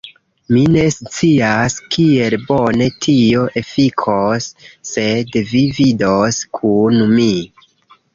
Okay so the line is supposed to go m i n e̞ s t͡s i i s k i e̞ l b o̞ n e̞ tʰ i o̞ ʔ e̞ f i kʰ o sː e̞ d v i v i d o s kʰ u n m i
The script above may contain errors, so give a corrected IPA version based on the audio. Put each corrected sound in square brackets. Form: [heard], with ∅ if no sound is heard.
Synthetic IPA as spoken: m i n e̞ s t͡s i [a] s k i e̞ l b o̞ n e̞ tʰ i o̞ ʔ e̞ f i kʰ o sː e̞ d v i v i d o s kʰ u n m i